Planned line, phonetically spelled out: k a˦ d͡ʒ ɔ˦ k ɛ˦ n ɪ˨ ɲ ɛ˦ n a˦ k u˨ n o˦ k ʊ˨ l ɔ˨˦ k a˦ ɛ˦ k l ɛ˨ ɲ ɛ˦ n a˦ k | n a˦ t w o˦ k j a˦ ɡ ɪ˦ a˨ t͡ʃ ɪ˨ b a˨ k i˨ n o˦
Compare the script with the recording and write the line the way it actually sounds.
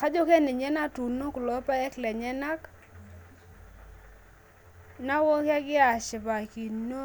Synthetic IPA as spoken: k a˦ d͡ʒ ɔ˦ k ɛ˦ n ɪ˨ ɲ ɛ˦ n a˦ t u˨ n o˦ k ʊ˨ l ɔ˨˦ p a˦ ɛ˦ k l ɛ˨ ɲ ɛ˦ n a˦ k | n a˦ w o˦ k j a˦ ɡ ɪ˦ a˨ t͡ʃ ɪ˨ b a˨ k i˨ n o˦